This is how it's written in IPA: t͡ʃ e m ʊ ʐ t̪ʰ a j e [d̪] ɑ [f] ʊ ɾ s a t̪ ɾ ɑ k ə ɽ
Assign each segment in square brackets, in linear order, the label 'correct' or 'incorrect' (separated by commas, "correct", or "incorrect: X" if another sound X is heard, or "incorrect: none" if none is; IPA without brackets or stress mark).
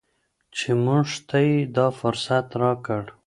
correct, correct